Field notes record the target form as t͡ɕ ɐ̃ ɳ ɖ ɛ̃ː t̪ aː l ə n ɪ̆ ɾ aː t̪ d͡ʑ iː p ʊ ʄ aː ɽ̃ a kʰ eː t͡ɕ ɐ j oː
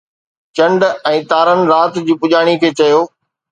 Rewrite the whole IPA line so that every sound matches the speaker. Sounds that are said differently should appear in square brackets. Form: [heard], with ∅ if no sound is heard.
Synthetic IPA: t͡ɕ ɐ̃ ɳ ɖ ɛ̃ː t̪ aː [ɾ] ə n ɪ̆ ɾ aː t̪ d͡ʑ iː p ʊ ʄ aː ɽ̃ [i] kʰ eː t͡ɕ ɐ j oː

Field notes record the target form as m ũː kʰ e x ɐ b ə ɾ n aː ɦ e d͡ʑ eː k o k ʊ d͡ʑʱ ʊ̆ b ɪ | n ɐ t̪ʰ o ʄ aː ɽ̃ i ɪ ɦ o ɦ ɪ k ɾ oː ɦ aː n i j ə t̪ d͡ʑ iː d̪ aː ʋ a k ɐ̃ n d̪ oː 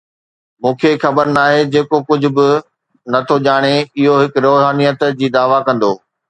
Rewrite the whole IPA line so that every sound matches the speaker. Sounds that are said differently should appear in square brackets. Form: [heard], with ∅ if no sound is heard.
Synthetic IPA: m ũː kʰ e x ɐ b ə ɾ n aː ɦ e d͡ʑ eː k o k ʊ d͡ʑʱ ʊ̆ b ɪ | n ɐ t̪ʰ o ʄ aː ɽ̃ [e] ɪ ɦ o ɦ ɪ k ɾ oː ɦ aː n i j ə t̪ d͡ʑ iː d̪ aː ʋ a k ɐ̃ n d̪ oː

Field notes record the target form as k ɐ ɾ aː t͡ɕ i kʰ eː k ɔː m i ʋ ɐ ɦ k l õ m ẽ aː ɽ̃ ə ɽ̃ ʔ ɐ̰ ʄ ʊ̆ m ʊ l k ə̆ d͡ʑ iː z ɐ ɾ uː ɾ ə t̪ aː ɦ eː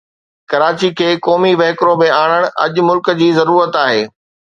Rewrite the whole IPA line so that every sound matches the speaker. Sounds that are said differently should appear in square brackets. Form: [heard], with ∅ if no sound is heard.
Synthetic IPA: k ɐ ɾ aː t͡ɕ i kʰ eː k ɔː m i ʋ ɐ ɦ k [ɾ] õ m ẽ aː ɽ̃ ə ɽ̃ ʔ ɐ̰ ʄ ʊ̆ m ʊ l k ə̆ d͡ʑ iː z ɐ ɾ uː ɾ ə t̪ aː ɦ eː

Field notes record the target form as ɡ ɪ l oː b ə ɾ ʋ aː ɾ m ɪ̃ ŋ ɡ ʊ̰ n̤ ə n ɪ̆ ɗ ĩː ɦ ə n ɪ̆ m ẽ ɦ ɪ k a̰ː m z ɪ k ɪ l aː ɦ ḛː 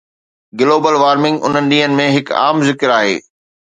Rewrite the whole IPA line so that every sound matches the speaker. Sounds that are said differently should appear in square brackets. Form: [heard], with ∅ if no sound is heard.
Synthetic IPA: ɡ ɪ l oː b ə [l] ʋ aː ɾ m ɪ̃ ŋ ɡ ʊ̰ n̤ ə n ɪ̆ ɗ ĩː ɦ ə n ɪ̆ m ẽ ɦ ɪ k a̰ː m z ɪ k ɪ [ɾ] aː ɦ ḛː

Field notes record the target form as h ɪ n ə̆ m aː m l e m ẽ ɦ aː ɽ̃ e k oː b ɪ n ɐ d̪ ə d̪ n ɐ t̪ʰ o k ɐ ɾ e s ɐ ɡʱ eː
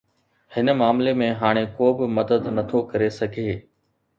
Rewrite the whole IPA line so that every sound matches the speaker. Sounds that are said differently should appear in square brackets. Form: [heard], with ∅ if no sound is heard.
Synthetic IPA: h ɪ n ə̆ m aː m l e m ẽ ɦ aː ɽ̃ e k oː b ɪ [m] ɐ d̪ ə d̪ n ɐ t̪ʰ o k ɐ ɾ e s ɐ ɡʱ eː

